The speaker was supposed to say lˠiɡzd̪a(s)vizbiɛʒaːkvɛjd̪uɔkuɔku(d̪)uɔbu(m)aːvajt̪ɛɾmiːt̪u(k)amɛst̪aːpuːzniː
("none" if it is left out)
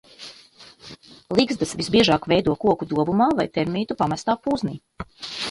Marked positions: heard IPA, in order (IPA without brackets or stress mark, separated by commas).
s, d̪, m, p